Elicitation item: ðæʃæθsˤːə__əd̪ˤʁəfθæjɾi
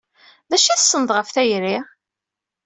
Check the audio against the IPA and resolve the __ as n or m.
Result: n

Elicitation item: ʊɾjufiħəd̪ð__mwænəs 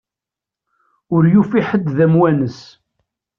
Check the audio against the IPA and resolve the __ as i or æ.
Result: æ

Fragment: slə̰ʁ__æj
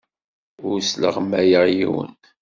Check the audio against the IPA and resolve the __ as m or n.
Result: m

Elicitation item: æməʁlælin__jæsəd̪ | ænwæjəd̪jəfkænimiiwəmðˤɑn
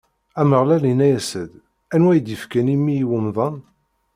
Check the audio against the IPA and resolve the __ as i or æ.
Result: æ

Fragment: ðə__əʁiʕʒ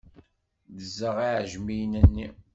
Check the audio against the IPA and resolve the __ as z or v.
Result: z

